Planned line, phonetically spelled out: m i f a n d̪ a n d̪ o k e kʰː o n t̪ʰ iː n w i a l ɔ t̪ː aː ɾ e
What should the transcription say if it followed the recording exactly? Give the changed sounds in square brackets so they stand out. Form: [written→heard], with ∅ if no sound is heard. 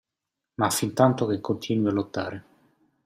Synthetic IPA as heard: m [i→a] f [a→i] n [d̪→t̪] a n [d̪→t̪] o k e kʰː o n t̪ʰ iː n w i a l [ɔ→o] t̪ː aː ɾ e